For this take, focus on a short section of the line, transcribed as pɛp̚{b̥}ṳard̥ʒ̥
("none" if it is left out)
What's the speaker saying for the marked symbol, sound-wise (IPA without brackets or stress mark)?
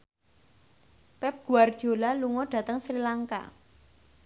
ɡ̥